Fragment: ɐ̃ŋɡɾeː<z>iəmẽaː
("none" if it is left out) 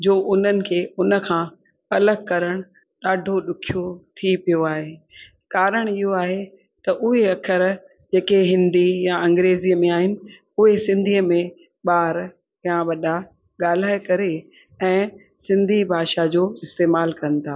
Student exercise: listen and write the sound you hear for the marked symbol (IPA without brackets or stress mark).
z